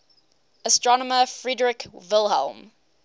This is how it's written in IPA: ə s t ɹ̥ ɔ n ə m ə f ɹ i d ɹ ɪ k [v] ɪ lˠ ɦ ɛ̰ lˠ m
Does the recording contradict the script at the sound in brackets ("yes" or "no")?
no